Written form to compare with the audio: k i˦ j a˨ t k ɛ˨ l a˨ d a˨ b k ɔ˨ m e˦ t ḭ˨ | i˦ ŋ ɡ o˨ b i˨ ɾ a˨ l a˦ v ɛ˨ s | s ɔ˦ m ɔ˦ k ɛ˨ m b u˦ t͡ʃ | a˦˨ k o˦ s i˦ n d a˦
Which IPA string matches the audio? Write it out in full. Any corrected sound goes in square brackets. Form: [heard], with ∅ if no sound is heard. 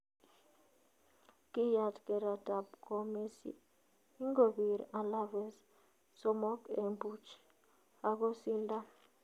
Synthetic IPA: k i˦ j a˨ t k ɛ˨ [ɾ] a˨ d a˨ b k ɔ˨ m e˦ [s] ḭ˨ | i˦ ŋ ɡ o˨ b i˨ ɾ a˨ l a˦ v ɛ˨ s | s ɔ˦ m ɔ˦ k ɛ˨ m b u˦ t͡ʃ | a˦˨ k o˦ s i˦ n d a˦